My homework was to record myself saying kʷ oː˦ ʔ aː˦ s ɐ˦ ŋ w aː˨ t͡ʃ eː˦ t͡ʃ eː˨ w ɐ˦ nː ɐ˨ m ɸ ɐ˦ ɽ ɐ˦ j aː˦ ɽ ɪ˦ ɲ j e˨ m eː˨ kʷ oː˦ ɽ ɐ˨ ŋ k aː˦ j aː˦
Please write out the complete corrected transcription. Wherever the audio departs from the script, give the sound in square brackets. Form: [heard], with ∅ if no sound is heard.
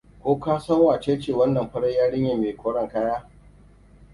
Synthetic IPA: kʷ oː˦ [k] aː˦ s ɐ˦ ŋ w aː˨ t͡ʃ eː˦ t͡ʃ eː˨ w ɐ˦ nː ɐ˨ m ɸ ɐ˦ ɽ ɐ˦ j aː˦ ɽ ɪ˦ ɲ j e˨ m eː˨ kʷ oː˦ ɽ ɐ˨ ŋ k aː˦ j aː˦